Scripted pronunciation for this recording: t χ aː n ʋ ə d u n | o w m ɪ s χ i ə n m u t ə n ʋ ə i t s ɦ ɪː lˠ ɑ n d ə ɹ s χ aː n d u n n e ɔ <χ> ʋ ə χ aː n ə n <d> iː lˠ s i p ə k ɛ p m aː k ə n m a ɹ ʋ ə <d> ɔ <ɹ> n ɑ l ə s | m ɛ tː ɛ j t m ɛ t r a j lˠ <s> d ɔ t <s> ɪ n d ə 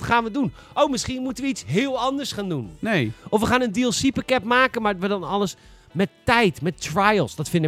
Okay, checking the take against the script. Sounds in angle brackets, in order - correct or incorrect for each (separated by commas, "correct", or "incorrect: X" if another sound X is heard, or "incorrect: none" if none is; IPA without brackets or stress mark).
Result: incorrect: f, correct, correct, incorrect: none, correct, incorrect: f